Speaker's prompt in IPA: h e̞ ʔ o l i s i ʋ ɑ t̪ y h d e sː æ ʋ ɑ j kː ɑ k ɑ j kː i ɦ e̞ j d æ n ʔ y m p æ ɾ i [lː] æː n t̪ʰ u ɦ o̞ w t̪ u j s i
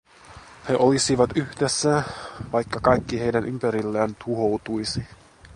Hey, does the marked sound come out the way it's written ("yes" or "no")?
yes